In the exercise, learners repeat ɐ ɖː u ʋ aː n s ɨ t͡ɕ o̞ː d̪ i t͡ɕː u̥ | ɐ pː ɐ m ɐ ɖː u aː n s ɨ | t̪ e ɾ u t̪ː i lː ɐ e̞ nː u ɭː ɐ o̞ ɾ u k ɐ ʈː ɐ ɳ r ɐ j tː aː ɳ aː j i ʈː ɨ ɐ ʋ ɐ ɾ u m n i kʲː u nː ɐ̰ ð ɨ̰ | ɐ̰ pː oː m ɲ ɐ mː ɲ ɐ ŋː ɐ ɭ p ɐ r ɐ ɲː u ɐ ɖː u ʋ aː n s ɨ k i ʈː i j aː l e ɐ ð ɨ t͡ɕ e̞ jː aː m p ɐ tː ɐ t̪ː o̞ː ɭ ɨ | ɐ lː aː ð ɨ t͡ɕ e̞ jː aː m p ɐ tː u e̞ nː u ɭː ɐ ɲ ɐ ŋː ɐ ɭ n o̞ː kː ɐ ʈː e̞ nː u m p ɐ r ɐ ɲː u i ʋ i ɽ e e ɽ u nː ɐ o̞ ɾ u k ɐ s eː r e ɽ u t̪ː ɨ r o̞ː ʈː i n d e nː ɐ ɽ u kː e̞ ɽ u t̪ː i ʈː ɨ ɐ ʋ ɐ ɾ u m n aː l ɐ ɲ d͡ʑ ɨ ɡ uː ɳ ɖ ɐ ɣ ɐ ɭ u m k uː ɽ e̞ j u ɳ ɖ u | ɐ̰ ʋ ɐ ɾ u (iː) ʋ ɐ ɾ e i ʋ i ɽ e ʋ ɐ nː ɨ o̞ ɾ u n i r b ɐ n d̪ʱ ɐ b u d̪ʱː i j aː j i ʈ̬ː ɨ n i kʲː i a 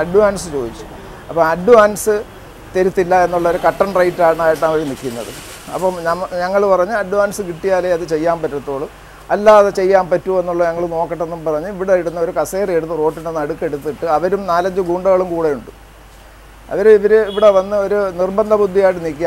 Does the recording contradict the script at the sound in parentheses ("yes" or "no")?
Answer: yes